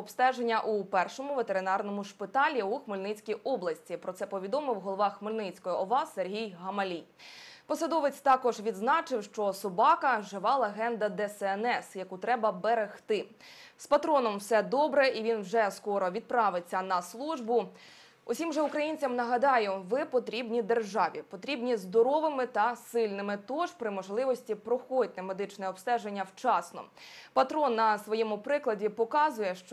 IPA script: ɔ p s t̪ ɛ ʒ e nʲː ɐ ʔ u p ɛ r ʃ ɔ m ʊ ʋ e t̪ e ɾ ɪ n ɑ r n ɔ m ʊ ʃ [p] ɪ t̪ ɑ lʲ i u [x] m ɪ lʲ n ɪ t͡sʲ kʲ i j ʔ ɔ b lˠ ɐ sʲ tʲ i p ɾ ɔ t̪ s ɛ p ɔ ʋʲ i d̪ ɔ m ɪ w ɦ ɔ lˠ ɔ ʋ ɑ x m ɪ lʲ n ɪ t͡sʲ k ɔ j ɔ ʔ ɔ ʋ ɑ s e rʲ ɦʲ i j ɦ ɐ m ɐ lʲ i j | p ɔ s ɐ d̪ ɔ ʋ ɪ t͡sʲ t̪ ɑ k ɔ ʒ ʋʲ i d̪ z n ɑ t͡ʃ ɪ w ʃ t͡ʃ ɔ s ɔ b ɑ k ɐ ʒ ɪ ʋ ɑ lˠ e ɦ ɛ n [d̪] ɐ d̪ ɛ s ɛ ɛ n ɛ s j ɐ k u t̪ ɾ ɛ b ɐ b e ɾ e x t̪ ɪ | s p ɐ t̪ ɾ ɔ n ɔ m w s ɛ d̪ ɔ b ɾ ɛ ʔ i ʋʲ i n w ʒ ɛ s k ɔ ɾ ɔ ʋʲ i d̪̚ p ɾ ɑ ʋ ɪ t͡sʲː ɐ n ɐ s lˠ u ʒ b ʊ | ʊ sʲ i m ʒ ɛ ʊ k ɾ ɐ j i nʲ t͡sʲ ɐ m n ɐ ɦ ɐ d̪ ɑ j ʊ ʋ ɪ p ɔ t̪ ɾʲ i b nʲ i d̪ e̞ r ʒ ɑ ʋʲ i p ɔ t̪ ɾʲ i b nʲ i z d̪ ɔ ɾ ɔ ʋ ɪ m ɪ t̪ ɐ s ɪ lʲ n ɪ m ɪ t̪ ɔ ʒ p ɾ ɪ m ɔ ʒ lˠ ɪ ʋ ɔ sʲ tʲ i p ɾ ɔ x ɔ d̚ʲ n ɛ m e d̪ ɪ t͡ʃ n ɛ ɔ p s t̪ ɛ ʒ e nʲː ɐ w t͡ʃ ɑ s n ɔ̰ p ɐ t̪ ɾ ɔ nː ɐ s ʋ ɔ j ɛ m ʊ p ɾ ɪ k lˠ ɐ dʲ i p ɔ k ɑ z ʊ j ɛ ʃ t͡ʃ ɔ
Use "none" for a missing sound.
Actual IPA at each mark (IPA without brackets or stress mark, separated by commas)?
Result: p, x, d̪